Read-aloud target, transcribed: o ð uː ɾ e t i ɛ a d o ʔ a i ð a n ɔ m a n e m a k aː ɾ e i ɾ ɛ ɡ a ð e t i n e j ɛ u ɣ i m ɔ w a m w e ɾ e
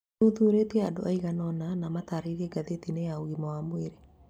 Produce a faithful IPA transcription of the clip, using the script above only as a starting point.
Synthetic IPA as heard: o ð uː ɾ e t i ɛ a d o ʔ a i ɣ a n ɔ n a n a m a t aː ɾ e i ɾ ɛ ɡ a ð e t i n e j a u ɣ i m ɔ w a m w e ɾ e